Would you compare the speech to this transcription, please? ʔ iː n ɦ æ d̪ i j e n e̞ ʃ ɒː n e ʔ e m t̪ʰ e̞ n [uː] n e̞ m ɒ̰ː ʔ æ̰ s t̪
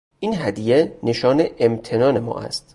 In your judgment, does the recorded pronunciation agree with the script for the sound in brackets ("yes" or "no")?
no